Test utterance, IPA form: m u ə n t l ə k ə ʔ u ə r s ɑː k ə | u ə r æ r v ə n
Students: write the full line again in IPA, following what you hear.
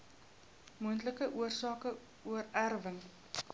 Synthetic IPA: m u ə n t l ə k ə ʔ u ə r s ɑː k ə | u ə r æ r v ə ŋ